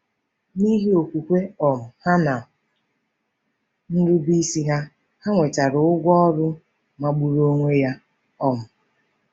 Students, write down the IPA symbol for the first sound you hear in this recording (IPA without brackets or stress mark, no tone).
n